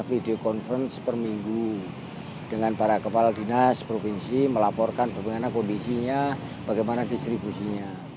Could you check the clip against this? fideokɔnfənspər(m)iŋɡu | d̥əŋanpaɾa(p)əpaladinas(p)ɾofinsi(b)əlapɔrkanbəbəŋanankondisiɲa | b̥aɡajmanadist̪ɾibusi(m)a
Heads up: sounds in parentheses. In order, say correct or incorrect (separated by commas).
correct, incorrect, correct, incorrect, incorrect